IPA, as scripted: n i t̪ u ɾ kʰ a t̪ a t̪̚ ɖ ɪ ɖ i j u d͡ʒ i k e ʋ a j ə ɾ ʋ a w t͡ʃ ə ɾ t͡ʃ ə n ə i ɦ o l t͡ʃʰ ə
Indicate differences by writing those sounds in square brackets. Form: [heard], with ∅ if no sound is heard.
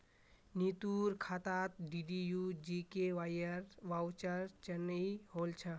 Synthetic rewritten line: n i t̪ u ɾ kʰ a t̪ a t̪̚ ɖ [i] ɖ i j u d͡ʒ i k e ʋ a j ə ɾ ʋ a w t͡ʃ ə ɾ t͡ʃ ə n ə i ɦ o l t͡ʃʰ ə